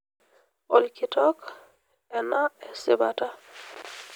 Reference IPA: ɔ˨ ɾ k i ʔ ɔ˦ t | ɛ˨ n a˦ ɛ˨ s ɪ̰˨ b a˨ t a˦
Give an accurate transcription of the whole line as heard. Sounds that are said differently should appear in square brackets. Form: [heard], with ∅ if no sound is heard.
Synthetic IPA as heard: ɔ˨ [l] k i [t] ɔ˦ [k] | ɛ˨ n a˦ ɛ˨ s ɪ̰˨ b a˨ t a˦